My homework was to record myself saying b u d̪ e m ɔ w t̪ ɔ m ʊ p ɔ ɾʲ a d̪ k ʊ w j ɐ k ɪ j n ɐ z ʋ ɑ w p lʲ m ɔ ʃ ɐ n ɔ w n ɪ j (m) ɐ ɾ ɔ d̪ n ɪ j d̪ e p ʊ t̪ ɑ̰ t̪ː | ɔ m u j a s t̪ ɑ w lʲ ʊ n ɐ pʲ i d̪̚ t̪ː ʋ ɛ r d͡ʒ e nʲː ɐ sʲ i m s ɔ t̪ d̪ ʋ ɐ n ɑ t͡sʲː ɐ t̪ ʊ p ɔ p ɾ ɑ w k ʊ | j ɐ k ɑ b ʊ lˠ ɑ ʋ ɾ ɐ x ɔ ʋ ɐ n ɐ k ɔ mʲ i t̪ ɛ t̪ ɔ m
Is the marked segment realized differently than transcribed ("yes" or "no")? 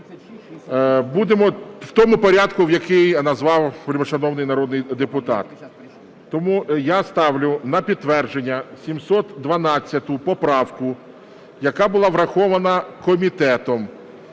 yes